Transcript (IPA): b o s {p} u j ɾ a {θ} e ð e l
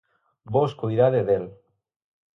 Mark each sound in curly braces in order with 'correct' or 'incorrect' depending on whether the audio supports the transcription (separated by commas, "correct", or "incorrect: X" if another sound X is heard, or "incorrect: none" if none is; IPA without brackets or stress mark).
incorrect: k, incorrect: ð